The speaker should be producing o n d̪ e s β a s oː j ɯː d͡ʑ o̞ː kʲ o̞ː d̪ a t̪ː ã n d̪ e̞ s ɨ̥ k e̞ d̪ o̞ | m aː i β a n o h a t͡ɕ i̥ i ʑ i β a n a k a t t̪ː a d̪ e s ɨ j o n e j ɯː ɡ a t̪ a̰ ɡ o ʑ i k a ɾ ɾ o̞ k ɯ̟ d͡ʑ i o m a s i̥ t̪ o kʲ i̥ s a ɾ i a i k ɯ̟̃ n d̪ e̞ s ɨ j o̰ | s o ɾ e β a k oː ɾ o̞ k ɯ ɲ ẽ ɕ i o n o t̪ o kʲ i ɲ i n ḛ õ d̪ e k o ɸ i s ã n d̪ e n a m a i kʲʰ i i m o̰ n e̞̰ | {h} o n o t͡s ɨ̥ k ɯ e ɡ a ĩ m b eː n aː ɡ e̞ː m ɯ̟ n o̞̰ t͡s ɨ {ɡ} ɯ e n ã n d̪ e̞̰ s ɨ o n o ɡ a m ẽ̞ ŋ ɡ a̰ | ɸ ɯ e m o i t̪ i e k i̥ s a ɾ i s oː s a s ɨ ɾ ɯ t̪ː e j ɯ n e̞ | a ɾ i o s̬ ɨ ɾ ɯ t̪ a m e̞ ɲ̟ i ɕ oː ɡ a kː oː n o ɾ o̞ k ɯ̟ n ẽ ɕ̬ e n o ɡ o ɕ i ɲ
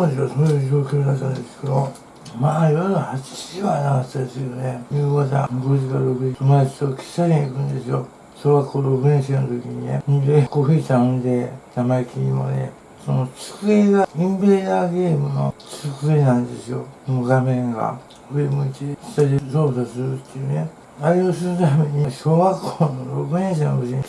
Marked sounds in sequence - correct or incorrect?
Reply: incorrect, incorrect

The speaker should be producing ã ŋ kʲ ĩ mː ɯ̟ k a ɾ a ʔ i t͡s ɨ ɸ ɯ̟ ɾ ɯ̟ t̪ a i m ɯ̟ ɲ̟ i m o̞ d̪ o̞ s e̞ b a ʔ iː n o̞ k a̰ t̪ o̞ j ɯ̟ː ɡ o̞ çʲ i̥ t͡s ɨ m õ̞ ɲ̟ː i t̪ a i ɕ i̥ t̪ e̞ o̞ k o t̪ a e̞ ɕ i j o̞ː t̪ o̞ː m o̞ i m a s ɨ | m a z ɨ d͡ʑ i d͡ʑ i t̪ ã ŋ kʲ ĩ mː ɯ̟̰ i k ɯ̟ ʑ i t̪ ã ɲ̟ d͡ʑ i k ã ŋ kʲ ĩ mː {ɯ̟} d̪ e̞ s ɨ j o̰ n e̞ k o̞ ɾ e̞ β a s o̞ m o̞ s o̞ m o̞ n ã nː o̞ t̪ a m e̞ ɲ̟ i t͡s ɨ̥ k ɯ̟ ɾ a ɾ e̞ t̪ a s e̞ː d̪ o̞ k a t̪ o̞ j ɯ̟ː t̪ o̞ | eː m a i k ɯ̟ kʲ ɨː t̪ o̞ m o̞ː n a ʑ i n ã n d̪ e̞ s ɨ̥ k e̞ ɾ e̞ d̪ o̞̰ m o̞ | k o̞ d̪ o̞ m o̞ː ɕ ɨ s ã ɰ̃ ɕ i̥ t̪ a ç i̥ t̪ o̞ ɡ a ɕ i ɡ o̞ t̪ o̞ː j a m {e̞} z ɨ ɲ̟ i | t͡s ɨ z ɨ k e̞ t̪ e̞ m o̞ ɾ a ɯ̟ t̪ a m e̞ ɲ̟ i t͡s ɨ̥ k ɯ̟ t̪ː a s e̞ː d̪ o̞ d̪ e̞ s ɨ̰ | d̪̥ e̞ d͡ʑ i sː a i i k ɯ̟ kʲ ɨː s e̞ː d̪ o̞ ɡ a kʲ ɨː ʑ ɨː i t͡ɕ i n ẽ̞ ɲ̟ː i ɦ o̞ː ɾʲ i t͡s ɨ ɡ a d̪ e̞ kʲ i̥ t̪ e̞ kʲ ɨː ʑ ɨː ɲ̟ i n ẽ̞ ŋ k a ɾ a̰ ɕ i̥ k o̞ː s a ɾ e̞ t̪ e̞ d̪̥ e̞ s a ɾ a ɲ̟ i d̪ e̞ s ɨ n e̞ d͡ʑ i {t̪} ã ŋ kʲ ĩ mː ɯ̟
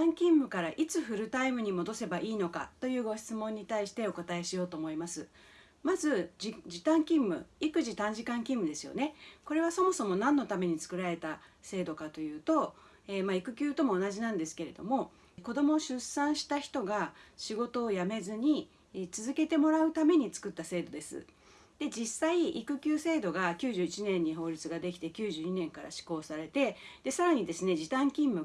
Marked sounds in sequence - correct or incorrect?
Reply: correct, correct, correct

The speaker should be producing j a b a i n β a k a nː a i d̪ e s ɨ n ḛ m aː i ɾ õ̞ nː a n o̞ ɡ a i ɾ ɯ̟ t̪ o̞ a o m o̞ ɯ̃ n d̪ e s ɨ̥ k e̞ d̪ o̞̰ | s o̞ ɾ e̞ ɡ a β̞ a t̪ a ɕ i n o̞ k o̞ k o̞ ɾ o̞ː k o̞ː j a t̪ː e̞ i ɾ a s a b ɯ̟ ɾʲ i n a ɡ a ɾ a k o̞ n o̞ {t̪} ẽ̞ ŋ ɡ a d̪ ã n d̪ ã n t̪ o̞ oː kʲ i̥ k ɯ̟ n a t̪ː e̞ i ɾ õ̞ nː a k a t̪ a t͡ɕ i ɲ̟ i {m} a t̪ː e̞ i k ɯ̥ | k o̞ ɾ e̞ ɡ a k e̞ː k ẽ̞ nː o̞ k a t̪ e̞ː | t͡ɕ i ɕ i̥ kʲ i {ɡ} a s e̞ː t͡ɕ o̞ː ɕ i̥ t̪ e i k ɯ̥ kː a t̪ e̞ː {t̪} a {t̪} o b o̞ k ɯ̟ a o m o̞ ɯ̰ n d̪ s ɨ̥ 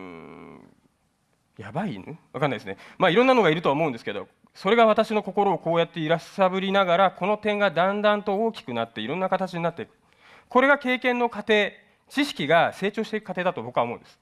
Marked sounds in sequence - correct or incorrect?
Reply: correct, incorrect, correct, incorrect, correct

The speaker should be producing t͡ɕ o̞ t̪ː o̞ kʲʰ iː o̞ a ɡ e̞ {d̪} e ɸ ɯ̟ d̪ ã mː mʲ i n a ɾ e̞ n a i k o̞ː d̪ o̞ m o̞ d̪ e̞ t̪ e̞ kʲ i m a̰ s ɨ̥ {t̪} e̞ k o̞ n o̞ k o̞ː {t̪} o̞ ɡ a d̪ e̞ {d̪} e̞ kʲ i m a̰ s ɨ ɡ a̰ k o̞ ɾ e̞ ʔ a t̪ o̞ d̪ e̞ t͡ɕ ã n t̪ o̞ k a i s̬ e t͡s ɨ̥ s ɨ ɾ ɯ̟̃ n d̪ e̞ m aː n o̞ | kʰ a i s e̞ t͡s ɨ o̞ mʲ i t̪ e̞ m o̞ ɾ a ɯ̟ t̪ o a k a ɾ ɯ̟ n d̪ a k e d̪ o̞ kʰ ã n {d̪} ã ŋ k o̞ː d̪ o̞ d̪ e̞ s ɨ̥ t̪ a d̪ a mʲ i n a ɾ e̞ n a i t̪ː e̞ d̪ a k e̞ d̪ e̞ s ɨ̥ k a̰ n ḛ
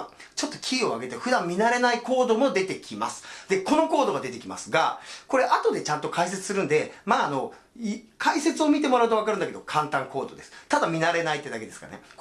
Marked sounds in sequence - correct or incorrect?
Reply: incorrect, incorrect, incorrect, incorrect, incorrect

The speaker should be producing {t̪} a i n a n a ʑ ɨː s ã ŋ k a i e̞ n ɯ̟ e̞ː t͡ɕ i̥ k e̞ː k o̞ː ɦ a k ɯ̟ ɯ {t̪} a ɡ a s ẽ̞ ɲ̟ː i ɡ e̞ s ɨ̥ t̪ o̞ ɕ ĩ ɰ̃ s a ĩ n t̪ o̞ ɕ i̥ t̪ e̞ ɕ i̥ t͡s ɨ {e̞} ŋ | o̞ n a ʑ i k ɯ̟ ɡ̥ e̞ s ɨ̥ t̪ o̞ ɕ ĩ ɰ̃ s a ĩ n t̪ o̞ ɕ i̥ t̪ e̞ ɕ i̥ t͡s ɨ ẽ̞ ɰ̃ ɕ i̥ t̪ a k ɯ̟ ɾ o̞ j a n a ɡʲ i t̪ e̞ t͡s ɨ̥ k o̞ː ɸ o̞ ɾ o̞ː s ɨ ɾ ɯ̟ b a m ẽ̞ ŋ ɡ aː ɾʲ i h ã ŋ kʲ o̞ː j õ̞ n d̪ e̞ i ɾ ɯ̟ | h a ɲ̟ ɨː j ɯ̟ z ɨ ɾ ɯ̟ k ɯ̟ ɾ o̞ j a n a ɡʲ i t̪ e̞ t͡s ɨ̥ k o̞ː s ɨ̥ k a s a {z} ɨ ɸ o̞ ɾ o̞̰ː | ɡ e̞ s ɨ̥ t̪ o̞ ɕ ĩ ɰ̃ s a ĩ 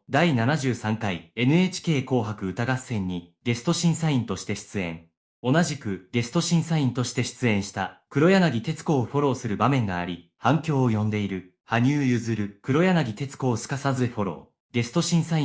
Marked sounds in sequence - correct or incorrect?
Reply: incorrect, correct, incorrect, correct

